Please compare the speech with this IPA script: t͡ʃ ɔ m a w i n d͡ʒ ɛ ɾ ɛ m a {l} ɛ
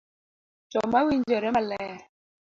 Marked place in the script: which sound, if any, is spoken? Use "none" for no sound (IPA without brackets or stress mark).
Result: l